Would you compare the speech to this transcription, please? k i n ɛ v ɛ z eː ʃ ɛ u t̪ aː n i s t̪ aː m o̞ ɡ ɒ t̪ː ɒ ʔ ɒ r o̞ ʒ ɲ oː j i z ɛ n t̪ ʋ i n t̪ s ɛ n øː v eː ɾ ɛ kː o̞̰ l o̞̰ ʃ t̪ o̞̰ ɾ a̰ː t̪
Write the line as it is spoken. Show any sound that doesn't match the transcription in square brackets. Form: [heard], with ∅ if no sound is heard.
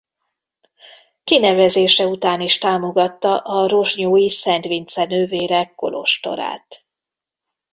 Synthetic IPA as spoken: k i n ɛ v ɛ z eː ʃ ɛ u t̪ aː n i [ʃ] t̪ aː m o̞ ɡ ɒ t̪ː ɒ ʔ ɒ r o̞ ʒ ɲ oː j i [s] ɛ n t̪ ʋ i n t̪ s ɛ n øː v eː ɾ ɛ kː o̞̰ l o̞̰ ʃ t̪ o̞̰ ɾ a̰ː t̪